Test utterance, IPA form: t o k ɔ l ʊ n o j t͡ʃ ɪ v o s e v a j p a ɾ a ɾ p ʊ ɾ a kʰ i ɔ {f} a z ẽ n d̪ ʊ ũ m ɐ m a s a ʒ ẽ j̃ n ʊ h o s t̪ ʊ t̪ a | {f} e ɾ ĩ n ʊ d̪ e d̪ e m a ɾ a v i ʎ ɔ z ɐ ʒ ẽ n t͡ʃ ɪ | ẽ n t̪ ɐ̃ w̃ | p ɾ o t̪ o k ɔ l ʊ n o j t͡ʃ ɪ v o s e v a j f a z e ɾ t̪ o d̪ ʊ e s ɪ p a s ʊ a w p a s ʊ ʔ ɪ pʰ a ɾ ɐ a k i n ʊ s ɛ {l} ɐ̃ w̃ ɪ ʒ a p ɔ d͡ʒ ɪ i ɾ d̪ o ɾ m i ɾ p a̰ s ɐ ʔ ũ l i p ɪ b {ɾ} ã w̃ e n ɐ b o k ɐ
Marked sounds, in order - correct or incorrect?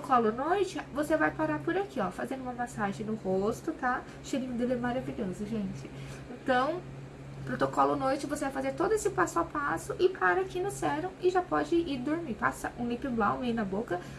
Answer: correct, incorrect: ʃ, incorrect: ɾ, incorrect: l

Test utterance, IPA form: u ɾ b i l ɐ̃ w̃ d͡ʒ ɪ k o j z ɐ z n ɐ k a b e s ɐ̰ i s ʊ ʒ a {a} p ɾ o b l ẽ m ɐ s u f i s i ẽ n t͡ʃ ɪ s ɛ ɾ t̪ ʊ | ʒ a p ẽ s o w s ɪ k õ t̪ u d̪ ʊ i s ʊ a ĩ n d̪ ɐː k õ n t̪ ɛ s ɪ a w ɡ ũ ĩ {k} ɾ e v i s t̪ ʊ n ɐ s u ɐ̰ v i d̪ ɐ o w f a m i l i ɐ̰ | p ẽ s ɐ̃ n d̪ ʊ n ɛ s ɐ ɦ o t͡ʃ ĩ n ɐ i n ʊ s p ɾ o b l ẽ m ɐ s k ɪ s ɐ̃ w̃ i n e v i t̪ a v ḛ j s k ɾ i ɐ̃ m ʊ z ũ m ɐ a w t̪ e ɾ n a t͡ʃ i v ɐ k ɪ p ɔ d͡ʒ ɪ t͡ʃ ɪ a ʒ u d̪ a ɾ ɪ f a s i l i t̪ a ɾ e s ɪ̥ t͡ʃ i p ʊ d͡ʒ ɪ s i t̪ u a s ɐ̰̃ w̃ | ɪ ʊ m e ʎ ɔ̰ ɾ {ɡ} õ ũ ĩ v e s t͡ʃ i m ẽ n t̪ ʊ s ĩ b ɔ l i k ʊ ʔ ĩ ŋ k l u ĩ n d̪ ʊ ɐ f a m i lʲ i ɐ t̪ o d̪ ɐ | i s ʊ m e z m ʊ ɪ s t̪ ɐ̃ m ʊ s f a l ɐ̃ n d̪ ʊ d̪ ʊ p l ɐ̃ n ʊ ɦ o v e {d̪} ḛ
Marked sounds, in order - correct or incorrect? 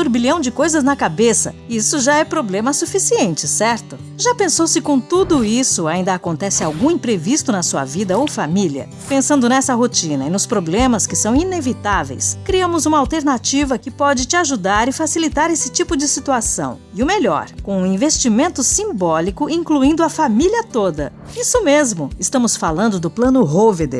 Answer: incorrect: ɛ, incorrect: p, incorrect: k, correct

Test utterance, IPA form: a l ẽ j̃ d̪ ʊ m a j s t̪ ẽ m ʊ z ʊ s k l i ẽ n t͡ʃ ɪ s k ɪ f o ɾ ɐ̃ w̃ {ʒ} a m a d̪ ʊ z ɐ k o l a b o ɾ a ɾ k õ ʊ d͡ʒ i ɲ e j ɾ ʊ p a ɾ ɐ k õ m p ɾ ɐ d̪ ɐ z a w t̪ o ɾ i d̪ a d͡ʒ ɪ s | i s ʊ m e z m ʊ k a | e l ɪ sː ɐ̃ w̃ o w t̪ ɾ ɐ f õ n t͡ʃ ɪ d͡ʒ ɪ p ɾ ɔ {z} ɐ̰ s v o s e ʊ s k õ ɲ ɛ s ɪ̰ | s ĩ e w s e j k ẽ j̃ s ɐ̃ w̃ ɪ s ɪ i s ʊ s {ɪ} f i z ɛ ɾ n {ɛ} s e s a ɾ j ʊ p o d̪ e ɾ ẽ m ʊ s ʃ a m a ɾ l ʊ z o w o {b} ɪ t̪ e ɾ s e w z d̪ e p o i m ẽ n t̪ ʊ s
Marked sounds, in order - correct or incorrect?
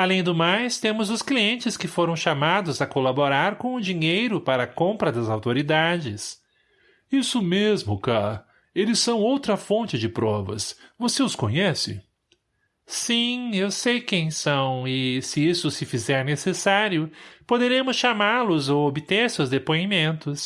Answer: incorrect: ʃ, incorrect: v, correct, incorrect: e, correct

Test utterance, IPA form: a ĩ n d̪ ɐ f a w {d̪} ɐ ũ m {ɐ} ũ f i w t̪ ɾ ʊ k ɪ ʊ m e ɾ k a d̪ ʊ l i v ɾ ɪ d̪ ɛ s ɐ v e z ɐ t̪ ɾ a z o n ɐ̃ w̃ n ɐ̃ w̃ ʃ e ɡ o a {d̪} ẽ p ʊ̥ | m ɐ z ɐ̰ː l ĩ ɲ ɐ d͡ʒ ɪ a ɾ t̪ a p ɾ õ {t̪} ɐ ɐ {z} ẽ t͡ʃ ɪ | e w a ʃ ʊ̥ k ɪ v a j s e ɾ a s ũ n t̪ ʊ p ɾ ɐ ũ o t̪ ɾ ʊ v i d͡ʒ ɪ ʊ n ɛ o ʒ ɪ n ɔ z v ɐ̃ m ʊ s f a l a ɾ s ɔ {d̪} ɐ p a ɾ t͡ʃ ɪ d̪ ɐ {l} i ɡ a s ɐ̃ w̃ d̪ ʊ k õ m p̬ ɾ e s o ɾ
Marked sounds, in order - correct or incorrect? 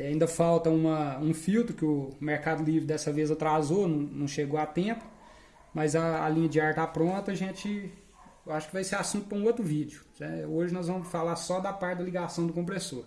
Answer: incorrect: t̪, correct, incorrect: t̪, correct, incorrect: ʒ, correct, correct

